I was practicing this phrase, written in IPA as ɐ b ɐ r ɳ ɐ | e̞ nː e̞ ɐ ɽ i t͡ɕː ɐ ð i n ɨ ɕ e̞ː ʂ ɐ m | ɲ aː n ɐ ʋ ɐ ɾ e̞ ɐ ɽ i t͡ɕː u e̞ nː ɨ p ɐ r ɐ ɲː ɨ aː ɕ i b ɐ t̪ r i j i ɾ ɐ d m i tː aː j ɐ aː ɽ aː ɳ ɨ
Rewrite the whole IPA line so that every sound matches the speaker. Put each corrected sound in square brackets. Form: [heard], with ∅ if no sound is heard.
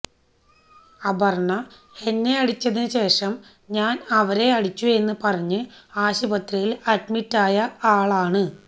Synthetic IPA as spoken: ɐ b ɐ r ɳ ɐ | e̞ nː e̞ ɐ ɽ i t͡ɕː ɐ ð i n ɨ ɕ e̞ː ʂ ɐ m | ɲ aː n ɐ ʋ ɐ ɾ e̞ ɐ ɽ i t͡ɕː u e̞ nː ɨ p ɐ r ɐ ɲː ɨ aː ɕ i b ɐ t̪ r i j i [l] ɐ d m i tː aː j ɐ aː [ɭ] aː ɳ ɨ